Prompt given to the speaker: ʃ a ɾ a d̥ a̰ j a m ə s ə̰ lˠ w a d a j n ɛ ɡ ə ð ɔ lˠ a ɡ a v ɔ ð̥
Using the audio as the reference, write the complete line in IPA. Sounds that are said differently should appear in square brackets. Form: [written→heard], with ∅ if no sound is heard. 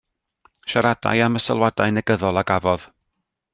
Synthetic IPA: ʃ a ɾ a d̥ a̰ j a m ə s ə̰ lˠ w a d a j n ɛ ɡ ə ð ɔ lˠ a ɡ a v ɔ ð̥